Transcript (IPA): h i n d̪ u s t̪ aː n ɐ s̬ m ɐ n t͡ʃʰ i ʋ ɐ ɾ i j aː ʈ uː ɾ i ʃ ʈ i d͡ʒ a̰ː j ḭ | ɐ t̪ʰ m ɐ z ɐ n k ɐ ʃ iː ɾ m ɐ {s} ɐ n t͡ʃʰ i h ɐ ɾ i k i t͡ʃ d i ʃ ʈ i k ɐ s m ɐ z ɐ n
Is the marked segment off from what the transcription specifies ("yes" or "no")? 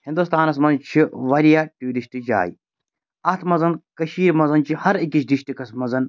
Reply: yes